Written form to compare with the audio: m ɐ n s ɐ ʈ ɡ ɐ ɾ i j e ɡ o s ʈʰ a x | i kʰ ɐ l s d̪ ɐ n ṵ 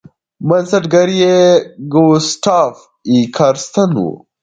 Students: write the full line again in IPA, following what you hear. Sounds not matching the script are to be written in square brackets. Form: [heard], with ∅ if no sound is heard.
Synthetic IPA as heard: m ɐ n s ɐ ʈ ɡ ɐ ɾ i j e ɡ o s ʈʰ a [f] | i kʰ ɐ [ɾ] s [t̪] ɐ n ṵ